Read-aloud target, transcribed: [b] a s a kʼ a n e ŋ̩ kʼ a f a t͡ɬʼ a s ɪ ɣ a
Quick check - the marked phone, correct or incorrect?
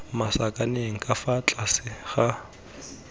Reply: incorrect